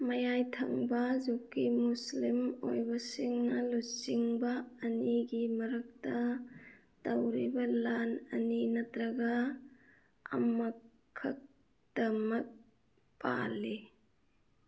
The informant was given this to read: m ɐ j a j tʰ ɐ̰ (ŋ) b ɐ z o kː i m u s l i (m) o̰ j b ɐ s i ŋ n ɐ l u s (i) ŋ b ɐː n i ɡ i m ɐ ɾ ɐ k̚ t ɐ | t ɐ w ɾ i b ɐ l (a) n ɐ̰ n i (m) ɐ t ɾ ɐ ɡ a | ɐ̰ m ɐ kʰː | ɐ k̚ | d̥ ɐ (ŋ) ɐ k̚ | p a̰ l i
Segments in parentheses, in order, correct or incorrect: correct, correct, correct, correct, incorrect, incorrect

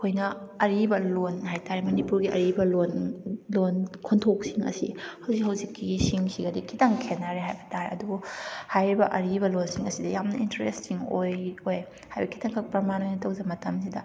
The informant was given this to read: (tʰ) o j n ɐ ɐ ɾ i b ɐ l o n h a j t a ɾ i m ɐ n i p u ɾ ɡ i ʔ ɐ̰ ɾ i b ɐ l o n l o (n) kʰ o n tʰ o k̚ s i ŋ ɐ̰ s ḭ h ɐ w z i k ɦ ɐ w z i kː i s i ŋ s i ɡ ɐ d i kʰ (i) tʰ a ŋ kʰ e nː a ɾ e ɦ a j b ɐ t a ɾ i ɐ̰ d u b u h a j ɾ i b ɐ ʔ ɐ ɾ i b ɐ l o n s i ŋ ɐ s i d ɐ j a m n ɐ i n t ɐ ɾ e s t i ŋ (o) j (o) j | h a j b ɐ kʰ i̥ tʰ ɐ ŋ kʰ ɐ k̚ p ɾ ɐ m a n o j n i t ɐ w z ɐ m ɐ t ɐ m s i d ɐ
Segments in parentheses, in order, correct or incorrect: incorrect, correct, correct, correct, correct

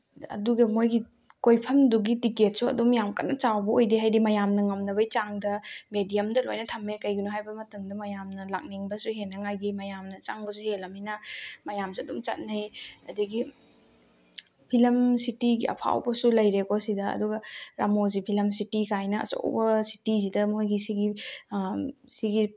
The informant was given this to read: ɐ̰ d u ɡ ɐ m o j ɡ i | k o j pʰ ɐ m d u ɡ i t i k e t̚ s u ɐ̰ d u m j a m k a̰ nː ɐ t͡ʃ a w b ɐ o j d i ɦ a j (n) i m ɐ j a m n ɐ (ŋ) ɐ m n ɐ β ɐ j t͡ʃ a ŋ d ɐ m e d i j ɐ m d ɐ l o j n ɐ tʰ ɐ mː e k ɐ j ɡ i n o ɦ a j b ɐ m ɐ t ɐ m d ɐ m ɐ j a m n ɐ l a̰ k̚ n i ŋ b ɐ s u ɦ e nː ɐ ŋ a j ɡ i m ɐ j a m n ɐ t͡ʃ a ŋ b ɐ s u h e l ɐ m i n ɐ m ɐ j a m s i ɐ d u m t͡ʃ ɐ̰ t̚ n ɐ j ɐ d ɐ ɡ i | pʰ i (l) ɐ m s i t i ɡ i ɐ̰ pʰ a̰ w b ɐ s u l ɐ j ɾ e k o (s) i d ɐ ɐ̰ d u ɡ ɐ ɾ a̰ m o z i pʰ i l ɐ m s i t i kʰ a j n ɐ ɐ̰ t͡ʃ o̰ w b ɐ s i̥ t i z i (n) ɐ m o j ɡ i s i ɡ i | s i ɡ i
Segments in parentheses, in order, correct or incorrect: incorrect, correct, correct, correct, incorrect

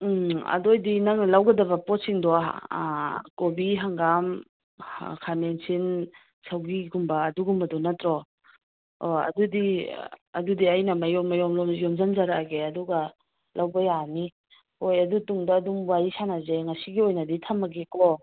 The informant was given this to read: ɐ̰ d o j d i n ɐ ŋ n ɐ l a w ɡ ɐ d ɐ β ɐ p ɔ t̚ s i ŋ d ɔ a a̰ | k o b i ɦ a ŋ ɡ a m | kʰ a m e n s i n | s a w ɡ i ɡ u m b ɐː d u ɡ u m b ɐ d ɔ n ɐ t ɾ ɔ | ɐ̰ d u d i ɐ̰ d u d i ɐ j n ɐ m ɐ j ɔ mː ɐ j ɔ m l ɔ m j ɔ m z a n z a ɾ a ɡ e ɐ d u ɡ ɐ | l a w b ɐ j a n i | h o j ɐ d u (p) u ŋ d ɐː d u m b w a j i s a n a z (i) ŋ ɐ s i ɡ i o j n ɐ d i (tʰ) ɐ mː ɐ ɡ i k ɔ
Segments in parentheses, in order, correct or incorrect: incorrect, incorrect, correct

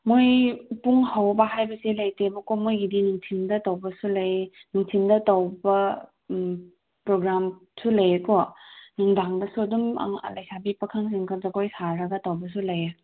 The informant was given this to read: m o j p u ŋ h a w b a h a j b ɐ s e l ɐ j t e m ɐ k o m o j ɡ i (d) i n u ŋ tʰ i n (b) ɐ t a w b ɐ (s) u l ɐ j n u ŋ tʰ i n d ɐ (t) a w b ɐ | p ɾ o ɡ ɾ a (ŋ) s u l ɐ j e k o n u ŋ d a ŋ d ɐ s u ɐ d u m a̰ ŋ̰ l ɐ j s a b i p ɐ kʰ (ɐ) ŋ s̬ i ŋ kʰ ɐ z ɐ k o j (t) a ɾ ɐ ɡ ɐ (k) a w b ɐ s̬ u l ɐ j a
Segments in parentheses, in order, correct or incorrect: correct, incorrect, correct, correct, incorrect, incorrect, incorrect, incorrect

